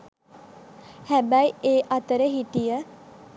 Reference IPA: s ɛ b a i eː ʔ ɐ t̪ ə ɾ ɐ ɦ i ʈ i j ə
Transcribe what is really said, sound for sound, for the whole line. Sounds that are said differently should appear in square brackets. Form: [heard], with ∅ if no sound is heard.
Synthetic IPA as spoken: [h] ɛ b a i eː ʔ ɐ t̪ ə ɾ [ə] ɦ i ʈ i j ə